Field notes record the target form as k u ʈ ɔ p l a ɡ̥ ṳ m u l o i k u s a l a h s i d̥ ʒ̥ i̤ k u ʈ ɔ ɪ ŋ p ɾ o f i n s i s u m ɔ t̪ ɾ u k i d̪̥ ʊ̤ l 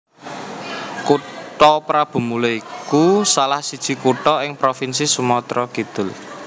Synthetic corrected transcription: k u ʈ ɔ p ɾ a b̥ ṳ m u l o i k u s a l a h s i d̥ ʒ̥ i̤ k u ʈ ɔ ɪ ŋ p ɾ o f i n s i s u m ɔ t̪ ɾ ɔ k i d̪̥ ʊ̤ l